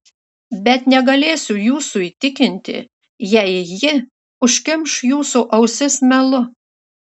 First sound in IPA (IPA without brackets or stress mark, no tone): bʲ